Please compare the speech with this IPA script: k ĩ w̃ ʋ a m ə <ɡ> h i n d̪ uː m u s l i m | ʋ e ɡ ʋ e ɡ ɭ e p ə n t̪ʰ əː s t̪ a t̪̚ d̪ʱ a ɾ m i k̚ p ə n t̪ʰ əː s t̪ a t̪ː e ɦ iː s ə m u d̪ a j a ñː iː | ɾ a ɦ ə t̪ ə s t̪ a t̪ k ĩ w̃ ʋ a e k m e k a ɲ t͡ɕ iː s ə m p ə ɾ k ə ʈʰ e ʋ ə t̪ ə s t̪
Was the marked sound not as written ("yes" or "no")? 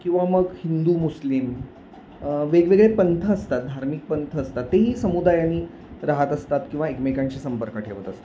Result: no